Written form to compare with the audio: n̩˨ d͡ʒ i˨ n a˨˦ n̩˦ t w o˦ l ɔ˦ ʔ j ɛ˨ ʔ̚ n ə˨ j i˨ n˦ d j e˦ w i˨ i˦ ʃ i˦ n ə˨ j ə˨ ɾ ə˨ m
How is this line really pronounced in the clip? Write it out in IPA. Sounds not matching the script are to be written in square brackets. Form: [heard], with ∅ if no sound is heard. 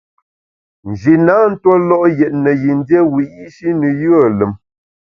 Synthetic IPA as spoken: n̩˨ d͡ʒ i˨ n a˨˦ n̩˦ t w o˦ l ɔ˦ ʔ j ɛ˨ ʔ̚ n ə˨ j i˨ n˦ d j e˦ w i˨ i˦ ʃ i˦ n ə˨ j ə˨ [l] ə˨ m